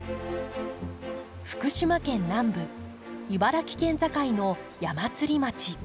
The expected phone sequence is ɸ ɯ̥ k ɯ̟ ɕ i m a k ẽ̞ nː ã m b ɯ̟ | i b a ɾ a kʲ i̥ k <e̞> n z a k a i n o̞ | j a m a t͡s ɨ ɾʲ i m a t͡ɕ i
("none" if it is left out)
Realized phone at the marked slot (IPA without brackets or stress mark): ẽ̞